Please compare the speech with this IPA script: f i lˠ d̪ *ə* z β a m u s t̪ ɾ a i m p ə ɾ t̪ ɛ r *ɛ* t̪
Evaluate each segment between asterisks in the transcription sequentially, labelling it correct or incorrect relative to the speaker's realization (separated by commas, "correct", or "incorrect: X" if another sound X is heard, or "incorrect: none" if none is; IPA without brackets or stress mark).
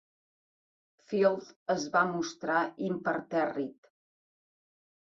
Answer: correct, incorrect: i